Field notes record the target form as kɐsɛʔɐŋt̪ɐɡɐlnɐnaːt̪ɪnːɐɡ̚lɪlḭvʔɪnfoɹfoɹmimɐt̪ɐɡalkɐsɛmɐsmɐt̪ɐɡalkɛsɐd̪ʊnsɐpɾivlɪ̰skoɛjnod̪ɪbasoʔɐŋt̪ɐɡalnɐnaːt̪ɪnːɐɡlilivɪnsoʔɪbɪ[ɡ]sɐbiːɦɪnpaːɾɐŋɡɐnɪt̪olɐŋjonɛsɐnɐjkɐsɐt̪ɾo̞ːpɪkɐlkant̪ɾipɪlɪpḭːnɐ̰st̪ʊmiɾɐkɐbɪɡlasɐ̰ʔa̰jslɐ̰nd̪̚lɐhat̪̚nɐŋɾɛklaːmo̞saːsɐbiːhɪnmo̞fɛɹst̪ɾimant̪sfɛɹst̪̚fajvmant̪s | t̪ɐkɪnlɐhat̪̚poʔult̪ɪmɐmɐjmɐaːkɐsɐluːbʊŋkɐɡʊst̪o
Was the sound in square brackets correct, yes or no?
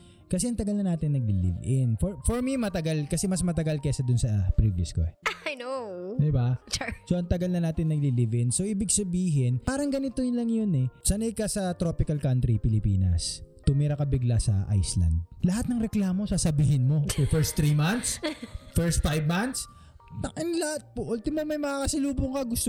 yes